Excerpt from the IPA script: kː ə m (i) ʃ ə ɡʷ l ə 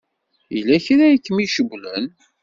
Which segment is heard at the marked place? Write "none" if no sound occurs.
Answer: i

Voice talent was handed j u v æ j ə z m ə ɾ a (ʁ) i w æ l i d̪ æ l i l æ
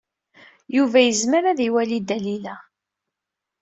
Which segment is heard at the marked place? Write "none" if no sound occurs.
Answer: ð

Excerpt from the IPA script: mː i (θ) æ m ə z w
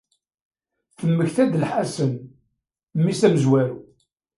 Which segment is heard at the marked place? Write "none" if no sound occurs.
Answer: s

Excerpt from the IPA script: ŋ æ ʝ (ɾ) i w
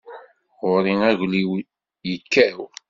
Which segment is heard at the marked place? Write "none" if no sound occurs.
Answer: l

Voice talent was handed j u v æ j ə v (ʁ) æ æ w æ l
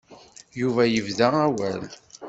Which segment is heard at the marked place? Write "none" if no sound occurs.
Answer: ð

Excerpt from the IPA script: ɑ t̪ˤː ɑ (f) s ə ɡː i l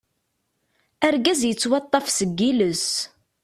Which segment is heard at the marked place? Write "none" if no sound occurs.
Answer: f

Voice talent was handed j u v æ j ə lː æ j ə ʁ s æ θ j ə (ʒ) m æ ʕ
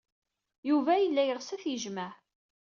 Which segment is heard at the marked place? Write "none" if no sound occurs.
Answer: ʒ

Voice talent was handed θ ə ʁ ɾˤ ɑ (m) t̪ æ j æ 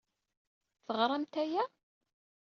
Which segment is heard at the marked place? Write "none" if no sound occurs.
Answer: m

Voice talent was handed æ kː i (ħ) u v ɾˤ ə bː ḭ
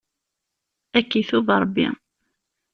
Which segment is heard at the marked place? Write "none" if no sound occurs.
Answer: θ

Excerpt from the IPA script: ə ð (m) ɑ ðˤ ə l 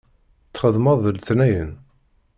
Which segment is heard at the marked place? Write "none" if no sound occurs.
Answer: m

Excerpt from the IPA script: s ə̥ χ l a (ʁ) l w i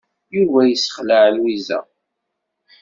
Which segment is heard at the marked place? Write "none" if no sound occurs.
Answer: ʕ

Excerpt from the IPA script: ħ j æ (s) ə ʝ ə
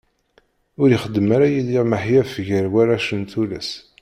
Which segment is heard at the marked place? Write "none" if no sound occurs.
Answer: f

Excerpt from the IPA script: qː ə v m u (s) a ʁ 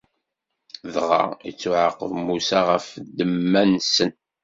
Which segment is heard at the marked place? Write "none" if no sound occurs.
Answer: s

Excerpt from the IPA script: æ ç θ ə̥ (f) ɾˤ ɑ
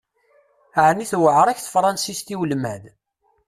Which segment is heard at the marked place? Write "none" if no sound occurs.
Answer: f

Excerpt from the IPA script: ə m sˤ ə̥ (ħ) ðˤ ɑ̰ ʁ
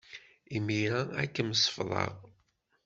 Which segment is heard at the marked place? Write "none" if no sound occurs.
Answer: f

